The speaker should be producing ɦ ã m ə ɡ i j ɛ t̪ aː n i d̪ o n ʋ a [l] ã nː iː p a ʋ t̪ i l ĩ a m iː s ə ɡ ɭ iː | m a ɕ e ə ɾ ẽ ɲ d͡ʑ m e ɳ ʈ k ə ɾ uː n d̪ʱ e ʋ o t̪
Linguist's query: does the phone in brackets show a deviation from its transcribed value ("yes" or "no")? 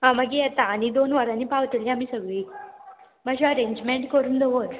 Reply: yes